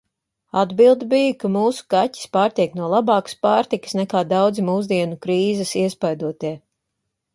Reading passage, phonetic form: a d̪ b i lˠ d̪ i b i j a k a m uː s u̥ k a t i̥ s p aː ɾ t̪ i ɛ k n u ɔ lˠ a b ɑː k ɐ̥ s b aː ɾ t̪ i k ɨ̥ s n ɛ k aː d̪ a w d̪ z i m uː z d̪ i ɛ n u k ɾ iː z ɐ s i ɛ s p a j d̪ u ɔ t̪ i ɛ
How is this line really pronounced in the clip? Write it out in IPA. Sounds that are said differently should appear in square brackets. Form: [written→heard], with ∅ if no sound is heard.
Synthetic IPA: a d̪ b i lˠ d̪ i b i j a k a m uː s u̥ k a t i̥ s p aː ɾ t̪ i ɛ k n u ɔ lˠ a b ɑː k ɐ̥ s [b→p] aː ɾ t̪ i k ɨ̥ s n ɛ k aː d̪ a w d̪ z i m uː z d̪ i ɛ n u k ɾ iː z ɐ s i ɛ s p a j d̪ u ɔ t̪ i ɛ

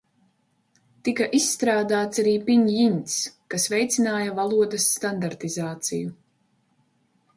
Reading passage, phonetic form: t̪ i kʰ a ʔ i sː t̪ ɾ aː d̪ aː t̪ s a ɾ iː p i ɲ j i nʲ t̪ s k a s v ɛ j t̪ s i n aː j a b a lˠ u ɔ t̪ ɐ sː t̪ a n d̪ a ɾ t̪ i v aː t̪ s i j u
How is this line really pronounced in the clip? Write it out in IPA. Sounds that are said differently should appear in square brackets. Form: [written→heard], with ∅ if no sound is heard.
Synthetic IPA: t̪ i [kʰ→k] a ʔ i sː t̪ ɾ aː d̪ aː t̪ s a ɾ iː p i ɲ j i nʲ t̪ s k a s v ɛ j t̪ s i n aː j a [b→v] a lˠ u ɔ [t̪→d̪] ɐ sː t̪ a n d̪ a ɾ t̪ i [v→z] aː t̪ s i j u

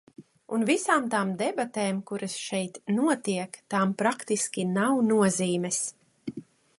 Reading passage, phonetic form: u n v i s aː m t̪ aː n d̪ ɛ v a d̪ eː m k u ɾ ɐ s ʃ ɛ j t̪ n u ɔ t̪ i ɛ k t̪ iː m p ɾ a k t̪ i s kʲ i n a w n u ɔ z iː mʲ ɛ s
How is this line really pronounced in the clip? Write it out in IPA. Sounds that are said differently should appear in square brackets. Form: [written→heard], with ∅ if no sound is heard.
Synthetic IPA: u n v i s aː m t̪ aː [n→m] d̪ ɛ [v→b] a [d̪→t̪] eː m k u ɾ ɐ s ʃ ɛ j t̪ n u ɔ t̪ i ɛ k t̪ [iː→aː] m p ɾ a k t̪ i s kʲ i n a w n u ɔ z iː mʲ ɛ s

